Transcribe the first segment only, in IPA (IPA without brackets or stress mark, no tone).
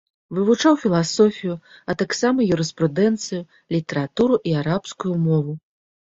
v